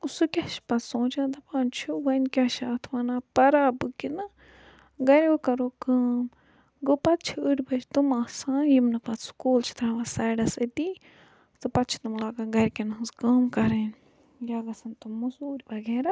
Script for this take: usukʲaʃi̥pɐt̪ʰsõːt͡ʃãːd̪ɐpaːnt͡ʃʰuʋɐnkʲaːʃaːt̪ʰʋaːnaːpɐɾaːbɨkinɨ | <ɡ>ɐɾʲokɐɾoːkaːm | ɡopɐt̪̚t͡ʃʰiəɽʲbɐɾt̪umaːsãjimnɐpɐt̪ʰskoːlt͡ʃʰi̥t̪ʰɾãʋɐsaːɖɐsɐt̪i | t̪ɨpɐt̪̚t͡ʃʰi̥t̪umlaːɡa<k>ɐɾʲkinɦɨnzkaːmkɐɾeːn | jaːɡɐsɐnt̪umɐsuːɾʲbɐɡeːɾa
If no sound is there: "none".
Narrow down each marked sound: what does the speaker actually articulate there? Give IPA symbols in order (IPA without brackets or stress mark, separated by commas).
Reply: ɡ, ɡ